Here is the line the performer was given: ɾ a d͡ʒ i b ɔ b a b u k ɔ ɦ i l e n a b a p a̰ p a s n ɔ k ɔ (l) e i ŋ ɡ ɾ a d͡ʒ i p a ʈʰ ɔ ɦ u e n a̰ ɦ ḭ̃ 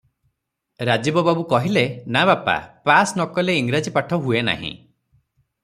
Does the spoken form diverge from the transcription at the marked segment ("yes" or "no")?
no